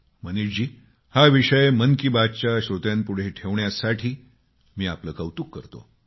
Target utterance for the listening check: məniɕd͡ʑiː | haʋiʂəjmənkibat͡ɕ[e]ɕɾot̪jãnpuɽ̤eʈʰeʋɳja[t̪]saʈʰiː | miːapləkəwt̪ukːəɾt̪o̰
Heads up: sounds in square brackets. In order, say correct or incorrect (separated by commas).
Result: incorrect, incorrect